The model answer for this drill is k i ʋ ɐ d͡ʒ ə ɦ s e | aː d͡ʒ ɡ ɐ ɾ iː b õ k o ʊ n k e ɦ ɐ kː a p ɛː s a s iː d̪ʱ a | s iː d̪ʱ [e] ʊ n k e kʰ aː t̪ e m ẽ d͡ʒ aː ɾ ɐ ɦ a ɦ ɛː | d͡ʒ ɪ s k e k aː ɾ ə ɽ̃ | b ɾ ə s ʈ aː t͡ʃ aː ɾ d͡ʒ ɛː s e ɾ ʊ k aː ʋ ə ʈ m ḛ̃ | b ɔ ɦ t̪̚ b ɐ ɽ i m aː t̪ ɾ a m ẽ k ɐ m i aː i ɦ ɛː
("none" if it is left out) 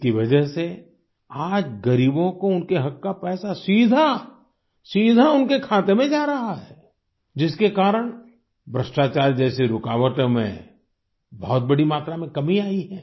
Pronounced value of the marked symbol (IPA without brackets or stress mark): a